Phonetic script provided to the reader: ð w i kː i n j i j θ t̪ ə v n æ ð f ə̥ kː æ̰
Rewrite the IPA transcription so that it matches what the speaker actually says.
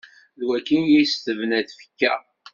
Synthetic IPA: ð w æ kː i n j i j s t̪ ə v n æ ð f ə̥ kː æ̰